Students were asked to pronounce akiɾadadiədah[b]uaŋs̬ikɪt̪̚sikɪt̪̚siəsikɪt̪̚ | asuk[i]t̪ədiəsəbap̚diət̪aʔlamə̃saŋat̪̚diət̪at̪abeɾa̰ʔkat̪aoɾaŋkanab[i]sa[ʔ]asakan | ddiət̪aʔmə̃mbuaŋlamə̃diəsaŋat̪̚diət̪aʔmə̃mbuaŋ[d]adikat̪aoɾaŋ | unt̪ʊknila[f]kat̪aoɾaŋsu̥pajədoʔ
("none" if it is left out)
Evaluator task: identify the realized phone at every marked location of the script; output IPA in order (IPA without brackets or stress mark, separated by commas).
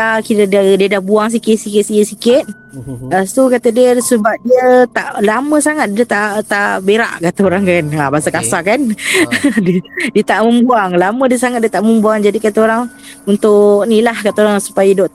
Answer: b, a, a, k, d͡ʒ, h